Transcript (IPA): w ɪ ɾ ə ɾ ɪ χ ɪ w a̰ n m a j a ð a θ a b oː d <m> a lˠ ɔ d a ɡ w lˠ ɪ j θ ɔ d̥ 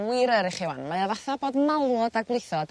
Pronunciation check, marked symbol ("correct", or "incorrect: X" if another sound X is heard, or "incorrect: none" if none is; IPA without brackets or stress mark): correct